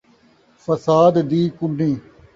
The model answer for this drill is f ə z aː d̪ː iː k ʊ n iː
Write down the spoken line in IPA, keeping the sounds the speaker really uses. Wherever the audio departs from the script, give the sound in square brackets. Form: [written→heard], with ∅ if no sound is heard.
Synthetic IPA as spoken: f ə [z→s] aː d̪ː iː k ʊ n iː